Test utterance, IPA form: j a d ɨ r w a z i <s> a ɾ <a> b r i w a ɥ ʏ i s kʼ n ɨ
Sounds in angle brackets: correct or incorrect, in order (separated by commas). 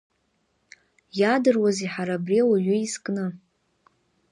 incorrect, correct